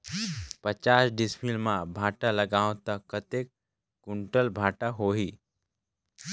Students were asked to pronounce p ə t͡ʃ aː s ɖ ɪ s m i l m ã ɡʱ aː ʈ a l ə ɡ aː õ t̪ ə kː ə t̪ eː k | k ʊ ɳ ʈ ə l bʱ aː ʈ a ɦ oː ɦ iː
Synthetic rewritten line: p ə t͡ʃ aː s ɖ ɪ s m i l m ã bʱ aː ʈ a l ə ɡ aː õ t̪ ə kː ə t̪ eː k | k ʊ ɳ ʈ ə l bʱ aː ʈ a ɦ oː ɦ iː